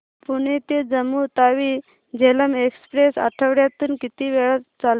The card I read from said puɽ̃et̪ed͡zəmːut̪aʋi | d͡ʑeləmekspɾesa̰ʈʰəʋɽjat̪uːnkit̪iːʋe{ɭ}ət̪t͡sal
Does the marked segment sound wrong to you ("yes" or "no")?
no